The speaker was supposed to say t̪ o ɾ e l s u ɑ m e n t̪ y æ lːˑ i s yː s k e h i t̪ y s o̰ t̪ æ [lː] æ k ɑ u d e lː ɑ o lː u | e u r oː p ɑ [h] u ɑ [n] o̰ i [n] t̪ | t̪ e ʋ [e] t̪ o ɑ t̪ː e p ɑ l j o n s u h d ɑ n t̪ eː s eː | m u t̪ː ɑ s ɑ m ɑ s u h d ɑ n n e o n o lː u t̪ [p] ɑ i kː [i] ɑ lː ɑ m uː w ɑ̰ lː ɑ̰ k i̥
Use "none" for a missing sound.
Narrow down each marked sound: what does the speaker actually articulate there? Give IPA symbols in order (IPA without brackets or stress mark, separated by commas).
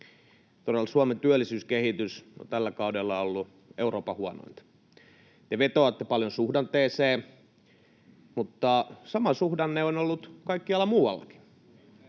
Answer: lː, h, n, n, e, k, i